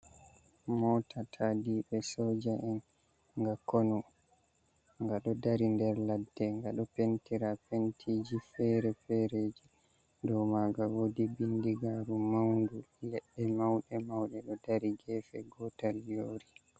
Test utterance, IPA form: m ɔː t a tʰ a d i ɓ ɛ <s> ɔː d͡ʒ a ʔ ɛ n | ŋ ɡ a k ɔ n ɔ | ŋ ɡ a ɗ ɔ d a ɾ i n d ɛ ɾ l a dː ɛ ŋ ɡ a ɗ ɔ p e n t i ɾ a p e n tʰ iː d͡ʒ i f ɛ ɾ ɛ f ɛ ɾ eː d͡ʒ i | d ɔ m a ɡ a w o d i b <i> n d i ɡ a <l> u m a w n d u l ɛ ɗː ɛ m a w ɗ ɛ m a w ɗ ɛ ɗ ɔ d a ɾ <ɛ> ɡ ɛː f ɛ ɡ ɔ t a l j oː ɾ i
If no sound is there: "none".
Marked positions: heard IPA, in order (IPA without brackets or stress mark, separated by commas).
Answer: s, i, ɾ, i